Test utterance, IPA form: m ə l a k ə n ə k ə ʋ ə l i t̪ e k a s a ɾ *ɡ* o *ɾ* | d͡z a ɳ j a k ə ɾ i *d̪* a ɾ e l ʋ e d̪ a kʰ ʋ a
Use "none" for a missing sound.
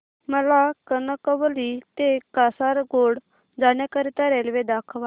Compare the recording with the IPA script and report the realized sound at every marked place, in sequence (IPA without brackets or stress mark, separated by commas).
ɡ, ɽ, t̪